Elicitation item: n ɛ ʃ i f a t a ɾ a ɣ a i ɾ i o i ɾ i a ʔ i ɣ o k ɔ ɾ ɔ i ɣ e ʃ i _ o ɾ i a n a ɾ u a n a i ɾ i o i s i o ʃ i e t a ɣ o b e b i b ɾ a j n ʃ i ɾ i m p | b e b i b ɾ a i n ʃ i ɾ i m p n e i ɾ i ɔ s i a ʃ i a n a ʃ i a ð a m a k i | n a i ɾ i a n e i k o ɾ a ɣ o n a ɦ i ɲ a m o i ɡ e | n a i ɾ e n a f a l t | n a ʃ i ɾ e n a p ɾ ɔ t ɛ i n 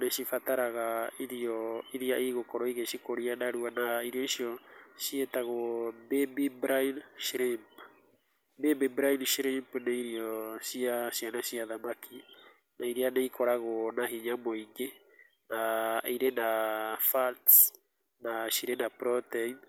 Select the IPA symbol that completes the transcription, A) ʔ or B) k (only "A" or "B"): B